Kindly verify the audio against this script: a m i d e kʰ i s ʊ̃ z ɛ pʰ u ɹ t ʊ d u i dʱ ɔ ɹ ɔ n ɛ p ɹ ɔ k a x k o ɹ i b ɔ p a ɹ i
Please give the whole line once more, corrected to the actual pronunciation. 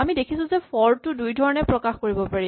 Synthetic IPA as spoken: a m i d e kʰ i s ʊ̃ z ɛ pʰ ɔ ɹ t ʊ d u j dʱ ɔ ɹ ɔ n ɛ p ɹ ɔ k a x k o ɹ i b ɔ p a ɹ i